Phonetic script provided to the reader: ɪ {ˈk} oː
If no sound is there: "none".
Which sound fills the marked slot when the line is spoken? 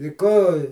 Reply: k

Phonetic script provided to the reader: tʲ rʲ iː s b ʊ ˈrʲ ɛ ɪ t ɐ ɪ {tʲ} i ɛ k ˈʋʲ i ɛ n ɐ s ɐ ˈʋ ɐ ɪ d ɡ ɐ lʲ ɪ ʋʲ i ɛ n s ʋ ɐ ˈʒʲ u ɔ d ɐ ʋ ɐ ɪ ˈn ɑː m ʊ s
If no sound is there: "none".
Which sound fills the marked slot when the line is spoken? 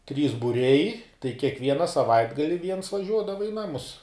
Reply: kʲ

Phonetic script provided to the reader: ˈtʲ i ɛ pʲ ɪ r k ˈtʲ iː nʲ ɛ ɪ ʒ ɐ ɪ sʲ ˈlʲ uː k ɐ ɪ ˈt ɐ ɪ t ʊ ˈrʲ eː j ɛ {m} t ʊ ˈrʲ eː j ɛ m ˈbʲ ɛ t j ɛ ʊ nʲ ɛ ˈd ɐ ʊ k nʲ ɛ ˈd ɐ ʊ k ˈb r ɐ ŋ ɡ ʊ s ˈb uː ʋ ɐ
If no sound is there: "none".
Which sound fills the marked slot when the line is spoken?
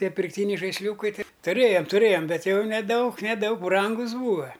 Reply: m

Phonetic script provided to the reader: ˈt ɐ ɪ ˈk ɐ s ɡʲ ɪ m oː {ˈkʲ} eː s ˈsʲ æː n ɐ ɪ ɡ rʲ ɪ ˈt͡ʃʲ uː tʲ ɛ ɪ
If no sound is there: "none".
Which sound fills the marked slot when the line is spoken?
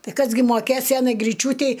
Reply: kʲ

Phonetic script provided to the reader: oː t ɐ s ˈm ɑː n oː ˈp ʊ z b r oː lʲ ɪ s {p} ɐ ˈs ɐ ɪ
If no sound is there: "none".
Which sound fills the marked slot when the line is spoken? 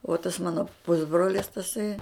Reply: t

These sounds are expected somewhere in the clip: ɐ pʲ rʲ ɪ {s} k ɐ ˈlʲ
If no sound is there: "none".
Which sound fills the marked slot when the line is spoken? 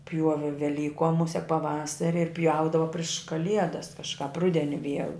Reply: ʃ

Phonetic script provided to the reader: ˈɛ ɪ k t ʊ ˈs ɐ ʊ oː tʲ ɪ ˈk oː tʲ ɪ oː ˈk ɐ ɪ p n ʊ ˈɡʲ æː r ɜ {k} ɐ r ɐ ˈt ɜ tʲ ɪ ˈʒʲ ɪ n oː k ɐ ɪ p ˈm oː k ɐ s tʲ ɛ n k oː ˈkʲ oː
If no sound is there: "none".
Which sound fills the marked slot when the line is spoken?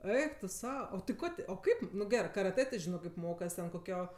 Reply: k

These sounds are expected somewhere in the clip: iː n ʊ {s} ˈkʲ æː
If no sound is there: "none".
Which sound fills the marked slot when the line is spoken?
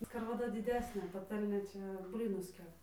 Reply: s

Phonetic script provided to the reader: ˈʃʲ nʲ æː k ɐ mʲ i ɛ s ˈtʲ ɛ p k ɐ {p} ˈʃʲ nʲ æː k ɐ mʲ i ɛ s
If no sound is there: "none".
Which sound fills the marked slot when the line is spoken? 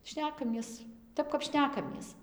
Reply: p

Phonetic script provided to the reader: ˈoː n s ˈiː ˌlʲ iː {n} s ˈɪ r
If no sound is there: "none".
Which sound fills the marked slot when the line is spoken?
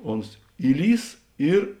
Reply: none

